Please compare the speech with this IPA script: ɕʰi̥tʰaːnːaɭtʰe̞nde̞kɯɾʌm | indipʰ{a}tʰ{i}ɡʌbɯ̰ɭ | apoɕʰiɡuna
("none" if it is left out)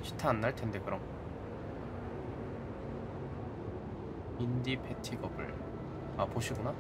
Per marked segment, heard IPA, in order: e, i

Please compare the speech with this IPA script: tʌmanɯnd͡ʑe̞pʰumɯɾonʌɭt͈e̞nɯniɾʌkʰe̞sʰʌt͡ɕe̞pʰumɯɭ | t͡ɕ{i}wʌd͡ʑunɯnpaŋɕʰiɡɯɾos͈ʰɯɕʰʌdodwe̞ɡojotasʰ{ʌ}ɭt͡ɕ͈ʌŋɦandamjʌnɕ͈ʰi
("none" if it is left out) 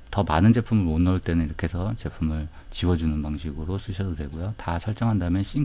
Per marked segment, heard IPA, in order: i, ʌ

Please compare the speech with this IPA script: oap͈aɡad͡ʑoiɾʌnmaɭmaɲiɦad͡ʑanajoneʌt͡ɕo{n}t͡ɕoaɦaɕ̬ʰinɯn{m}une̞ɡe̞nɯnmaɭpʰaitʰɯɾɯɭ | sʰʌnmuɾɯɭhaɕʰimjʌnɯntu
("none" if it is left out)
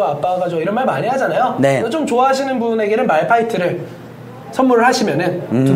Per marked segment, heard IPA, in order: m, b

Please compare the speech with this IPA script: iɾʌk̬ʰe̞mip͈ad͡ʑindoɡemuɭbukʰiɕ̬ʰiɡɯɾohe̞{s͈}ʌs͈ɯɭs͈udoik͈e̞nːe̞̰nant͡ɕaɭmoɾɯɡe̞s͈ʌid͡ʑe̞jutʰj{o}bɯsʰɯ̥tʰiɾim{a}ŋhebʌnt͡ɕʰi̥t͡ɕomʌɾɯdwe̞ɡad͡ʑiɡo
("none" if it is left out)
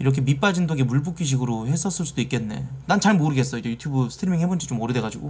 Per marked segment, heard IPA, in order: s͈, u, i

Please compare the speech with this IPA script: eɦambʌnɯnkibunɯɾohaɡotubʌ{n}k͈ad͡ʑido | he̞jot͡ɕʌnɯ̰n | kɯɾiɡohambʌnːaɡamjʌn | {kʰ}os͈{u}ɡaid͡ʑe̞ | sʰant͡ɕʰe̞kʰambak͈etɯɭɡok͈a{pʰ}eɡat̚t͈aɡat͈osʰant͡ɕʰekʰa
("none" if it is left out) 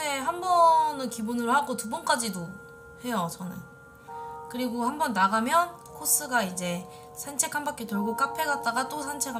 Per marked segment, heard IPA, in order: n, kʰ, ɯ, pʰ

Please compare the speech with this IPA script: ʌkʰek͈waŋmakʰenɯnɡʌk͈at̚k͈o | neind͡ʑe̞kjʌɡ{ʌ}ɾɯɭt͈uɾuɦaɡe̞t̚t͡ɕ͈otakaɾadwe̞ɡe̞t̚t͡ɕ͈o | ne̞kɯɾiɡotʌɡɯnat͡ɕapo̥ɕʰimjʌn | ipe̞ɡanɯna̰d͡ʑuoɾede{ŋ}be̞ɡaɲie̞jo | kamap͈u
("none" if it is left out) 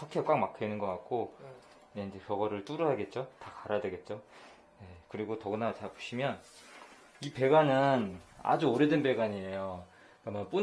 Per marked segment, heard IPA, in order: ʌ, n

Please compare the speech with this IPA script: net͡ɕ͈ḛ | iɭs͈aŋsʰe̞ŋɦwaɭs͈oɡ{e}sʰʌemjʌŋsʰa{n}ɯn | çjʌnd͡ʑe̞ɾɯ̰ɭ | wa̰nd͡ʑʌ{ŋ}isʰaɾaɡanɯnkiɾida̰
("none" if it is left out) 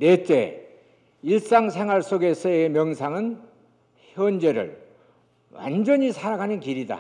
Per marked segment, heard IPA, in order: e, ŋ, ɲ

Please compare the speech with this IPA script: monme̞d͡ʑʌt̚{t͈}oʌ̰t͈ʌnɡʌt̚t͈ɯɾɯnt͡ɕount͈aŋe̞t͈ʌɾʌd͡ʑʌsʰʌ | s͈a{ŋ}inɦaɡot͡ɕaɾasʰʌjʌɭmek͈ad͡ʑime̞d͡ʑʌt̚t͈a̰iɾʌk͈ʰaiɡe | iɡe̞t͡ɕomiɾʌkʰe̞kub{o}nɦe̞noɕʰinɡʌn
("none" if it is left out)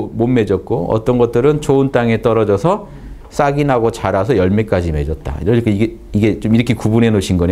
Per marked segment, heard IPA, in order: k͈, ɡ, u

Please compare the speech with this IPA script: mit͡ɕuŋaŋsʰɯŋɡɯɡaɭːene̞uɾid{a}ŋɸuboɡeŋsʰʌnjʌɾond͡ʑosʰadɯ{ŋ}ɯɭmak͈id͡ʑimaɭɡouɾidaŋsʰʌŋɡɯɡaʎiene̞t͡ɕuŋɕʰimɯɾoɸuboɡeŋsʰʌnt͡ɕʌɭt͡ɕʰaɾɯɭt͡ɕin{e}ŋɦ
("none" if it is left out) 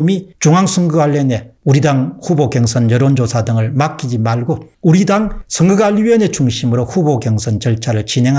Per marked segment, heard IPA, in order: a, ŋ, e

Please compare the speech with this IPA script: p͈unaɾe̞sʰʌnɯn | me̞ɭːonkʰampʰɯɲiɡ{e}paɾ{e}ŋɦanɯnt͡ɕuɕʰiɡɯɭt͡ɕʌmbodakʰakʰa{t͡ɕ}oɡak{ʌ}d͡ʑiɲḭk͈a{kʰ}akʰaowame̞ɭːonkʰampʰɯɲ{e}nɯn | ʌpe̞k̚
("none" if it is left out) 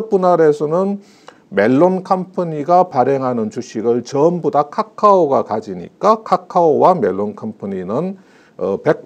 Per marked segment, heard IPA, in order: a, e, none, a, kʰ, i

